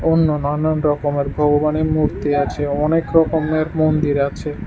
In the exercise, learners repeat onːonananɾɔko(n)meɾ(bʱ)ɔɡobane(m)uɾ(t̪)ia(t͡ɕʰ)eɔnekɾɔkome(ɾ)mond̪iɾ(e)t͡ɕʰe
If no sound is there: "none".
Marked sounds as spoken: none, bʱ, m, t̪, t͡ɕʰ, ɾ, a

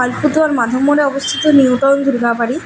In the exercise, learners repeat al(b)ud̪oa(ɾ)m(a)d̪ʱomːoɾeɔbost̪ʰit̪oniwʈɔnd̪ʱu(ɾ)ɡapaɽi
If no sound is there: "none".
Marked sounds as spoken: p, ɾ, a, ɾ

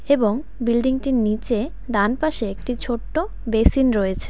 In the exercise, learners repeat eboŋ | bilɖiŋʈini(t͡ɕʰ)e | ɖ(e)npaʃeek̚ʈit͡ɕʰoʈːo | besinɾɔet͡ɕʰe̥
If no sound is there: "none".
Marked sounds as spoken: t͡ɕ, a

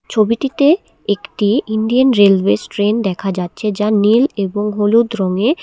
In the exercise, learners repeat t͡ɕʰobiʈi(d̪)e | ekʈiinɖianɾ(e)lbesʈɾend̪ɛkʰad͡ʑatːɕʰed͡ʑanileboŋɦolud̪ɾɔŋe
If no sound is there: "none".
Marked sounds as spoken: t̪, e

